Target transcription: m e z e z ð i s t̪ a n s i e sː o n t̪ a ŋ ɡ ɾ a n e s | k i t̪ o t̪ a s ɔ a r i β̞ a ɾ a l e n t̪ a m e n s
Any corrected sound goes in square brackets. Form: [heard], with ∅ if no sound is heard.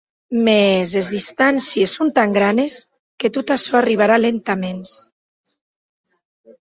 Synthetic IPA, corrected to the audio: m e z e z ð i s t̪ a n s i e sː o n t̪ a ŋ ɡ ɾ a n e s | k [e] t̪ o t̪ a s ɔ a r i β̞ a ɾ a l e n t̪ a m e n s